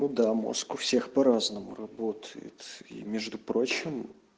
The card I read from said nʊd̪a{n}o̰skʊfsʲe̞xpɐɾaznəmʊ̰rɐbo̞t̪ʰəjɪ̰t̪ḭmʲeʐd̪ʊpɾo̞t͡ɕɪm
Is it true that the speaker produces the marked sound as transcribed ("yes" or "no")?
no